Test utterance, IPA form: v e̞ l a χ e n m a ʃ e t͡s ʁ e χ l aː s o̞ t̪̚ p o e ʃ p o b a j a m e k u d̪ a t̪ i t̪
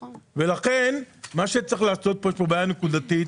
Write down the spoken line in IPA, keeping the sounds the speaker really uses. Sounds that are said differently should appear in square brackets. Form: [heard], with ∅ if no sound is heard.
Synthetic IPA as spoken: v e̞ l a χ e n m a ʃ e t͡s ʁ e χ l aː s o̞ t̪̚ p o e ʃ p o b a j a [n] e k u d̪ a t̪ i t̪